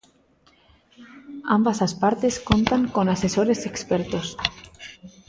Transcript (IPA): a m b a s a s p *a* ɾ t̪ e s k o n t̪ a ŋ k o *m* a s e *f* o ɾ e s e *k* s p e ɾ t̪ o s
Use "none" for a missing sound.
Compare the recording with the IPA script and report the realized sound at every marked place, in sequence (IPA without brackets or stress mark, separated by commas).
a, n, s, k